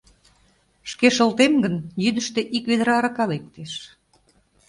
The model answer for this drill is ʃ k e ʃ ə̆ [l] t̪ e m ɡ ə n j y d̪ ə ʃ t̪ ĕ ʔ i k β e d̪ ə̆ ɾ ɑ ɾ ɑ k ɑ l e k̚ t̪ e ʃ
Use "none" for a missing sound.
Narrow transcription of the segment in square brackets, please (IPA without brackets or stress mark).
l